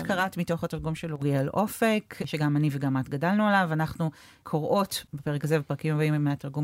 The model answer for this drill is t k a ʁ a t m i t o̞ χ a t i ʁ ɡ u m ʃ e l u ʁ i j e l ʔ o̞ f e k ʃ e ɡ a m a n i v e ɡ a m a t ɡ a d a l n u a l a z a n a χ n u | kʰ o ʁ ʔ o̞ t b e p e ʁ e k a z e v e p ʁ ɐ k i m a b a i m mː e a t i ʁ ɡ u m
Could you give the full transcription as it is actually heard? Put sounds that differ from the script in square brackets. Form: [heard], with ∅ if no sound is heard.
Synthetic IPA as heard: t k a ʁ a t m i t o̞ χ a t i ʁ ɡ u m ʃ e l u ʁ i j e l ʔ o̞ f e k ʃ e ɡ a m a n i v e ɡ a m a t ɡ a d a l n u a l a [v] a n a χ n u | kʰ o ʁ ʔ o̞ t b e p e ʁ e k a z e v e p ʁ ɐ k i m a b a i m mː e a t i ʁ ɡ u m